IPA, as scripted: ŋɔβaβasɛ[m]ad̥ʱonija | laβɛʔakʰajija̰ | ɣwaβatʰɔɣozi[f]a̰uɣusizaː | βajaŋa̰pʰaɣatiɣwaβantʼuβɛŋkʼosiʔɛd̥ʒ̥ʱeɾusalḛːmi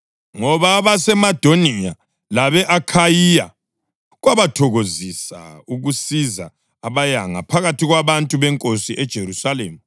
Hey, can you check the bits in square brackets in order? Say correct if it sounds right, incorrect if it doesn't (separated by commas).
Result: correct, incorrect